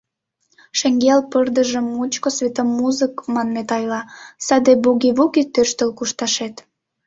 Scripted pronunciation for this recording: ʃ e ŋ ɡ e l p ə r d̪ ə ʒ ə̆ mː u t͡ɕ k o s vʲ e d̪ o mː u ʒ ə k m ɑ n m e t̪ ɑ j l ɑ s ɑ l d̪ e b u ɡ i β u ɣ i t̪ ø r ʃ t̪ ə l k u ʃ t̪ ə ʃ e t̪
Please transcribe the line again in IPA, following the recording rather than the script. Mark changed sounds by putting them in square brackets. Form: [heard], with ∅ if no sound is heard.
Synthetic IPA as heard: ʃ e ŋ ɡ e l p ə r d̪ ə ʒ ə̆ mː u t͡ɕ k o s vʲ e [t̪] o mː u [z] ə k m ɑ n m e t̪ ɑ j l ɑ s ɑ [∅] d̪ e b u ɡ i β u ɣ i t̪ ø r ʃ t̪ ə l k u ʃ t̪ [ɑ] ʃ e t̪

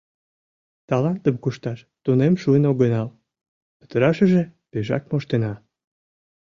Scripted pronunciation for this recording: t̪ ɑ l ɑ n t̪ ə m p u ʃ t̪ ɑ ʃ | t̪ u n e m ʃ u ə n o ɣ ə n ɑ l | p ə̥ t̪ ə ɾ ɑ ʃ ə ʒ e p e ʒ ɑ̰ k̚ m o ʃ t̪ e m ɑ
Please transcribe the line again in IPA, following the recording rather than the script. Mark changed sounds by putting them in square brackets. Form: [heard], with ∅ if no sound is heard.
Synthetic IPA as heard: t̪ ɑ l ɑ n t̪ ə m [k] u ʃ t̪ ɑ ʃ | t̪ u n e m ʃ u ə n o ɣ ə n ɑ l | p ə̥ t̪ ə ɾ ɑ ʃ ə ʒ e p e ʒ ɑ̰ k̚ m o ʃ t̪ e [n] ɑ

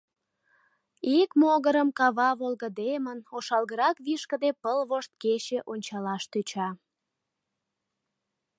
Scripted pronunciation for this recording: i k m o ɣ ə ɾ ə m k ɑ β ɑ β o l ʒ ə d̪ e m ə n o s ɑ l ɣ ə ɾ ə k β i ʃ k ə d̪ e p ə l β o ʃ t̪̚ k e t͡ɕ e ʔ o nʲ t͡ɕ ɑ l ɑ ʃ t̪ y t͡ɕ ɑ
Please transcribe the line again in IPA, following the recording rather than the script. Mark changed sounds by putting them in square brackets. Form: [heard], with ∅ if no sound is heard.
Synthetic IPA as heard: i k m o ɣ ə ɾ ə m k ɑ β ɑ β o l [ɣ] ə d̪ e m ə n o [ʃ] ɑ l ɣ ə ɾ [ɑ] k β i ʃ k ə d̪ e p ə l β o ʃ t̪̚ k e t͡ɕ e ʔ o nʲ t͡ɕ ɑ l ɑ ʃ t̪ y t͡ɕ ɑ

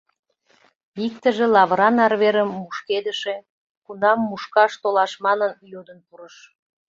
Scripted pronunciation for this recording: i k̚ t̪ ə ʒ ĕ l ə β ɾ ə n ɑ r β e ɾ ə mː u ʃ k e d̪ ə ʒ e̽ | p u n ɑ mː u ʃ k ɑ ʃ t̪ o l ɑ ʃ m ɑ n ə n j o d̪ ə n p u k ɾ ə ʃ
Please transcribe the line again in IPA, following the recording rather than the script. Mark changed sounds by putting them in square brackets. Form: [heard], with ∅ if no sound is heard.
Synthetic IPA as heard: i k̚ t̪ ə ʒ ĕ l [ɑ] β ɾ [ɑ] n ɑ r β e ɾ ə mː u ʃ k e d̪ ə [ʃ] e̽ | [k] u n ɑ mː u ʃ k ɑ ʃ t̪ o l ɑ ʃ m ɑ n ə n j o d̪ ə n p u [∅] ɾ ə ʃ

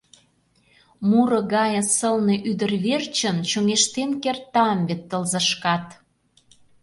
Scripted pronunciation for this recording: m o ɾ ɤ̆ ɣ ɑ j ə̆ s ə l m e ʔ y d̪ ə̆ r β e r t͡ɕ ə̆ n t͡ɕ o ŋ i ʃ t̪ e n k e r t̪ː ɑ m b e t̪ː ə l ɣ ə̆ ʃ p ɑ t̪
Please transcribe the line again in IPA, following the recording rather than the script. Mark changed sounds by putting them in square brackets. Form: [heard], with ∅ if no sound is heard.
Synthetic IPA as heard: m [u] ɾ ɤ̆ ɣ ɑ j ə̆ s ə l [n] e ʔ y d̪ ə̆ r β e r t͡ɕ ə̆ n t͡ɕ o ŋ [e] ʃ t̪ e n k e r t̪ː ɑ m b e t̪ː ə l [z] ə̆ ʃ [k] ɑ t̪

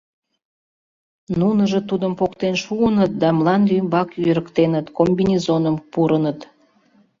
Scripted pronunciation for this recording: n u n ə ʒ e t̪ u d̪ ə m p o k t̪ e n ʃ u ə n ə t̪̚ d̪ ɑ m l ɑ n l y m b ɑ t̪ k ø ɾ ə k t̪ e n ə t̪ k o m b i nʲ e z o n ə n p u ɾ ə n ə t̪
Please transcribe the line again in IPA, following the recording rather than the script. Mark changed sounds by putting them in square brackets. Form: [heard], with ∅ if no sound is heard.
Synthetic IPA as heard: n u n ə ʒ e t̪ u d̪ ə m p o k t̪ e n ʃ u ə n ə t̪̚ d̪ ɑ m l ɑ n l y m b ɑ [∅] k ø ɾ ə k t̪ e n ə t̪ k o m b i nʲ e z o n ə [m] p u ɾ ə n ə t̪

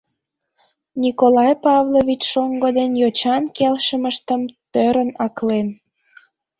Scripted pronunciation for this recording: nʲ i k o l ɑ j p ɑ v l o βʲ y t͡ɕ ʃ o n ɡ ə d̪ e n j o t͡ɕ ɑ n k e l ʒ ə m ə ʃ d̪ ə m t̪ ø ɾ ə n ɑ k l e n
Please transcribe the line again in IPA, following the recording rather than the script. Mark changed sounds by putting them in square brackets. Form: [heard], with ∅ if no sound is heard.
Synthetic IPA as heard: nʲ i k o l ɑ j p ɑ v l o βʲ [i] t͡ɕ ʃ o [ŋ] ɡ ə d̪ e n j o t͡ɕ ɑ n k e l [ʃ] ə m ə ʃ [t̪] ə m t̪ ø ɾ ə n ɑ k l e n

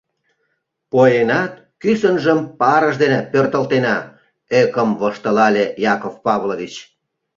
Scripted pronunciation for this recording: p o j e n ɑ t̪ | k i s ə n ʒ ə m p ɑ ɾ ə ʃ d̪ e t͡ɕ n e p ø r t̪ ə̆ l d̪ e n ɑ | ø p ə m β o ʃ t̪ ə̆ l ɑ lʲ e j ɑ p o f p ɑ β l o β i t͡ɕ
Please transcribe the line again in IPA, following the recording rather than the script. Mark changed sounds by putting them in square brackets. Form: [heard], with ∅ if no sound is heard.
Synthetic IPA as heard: p o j e n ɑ t̪ | k [y] s ə n ʒ ə m p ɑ ɾ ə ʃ d̪ e [∅] n e p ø r t̪ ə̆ l [t̪] e n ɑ | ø [k] ə m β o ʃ t̪ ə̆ l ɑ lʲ e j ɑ [k] o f p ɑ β l o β i t͡ɕ

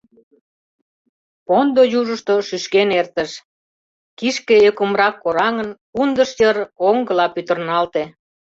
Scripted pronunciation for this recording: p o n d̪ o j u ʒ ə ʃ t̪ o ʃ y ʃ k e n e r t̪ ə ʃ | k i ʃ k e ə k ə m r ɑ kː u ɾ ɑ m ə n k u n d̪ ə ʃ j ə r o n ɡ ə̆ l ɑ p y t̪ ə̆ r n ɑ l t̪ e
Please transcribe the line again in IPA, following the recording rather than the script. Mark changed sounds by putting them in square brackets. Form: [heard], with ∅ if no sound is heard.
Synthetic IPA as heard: p o n d̪ o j u ʒ ə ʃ t̪ o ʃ y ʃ k e n e r t̪ ə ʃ | k i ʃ k e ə k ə m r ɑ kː [o] ɾ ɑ [ŋ] ə n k u n d̪ ə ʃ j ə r o [ŋ] ɡ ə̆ l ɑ p y t̪ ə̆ r n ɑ l t̪ e

